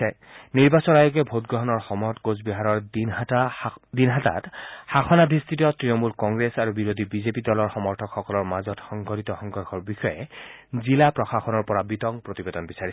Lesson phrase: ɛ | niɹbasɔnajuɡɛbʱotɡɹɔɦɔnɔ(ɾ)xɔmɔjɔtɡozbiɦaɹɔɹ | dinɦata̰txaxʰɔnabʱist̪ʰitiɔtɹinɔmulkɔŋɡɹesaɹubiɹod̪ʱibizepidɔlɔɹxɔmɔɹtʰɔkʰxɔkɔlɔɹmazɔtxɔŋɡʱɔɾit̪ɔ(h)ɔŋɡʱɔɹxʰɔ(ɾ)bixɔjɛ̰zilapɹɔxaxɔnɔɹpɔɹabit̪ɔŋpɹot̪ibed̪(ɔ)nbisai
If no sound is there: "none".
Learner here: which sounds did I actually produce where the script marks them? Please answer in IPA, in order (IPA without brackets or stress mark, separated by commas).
ɹ, x, ɹ, ɔ